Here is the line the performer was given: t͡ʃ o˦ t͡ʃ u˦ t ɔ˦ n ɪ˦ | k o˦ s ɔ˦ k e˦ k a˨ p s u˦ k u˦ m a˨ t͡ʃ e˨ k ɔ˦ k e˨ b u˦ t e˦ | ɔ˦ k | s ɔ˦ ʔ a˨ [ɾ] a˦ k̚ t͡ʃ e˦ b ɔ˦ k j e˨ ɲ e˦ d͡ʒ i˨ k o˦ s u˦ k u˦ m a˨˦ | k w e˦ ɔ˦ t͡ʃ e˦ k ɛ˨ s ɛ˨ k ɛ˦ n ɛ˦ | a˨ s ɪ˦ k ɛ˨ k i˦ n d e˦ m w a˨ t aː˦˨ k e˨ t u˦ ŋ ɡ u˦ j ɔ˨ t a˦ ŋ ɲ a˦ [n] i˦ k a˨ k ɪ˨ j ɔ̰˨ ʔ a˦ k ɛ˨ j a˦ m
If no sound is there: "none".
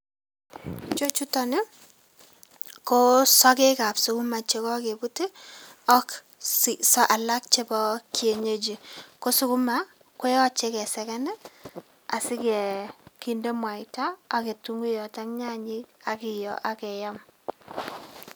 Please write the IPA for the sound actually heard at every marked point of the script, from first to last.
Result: l, ɲ

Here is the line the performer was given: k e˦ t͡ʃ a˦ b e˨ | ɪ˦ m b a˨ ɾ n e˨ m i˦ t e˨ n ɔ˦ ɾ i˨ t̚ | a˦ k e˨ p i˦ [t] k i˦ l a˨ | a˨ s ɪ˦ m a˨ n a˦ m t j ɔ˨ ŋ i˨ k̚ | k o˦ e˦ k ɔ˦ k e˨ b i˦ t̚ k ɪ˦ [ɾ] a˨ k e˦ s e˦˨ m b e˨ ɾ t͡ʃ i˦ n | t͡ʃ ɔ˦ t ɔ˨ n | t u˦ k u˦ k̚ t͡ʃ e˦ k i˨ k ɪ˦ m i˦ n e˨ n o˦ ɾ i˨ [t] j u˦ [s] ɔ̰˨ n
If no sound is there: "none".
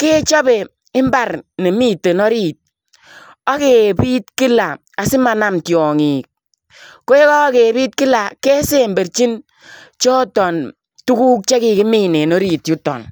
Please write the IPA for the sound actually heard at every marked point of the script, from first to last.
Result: t, l, t, t

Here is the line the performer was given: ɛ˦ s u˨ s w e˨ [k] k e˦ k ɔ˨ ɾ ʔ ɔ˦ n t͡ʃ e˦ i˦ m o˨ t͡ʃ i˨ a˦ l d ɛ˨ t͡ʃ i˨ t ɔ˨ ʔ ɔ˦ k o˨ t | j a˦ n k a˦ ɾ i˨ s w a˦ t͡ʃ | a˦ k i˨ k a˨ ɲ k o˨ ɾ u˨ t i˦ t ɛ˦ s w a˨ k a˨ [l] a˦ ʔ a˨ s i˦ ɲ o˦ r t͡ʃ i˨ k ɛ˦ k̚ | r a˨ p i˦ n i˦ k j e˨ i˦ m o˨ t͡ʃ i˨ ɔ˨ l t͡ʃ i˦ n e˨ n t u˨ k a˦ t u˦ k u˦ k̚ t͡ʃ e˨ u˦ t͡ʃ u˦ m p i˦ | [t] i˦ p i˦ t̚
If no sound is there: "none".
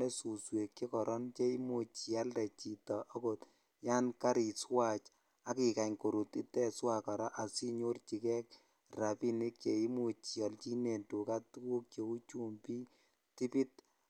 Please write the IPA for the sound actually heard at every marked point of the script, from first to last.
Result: k, ɾ, t

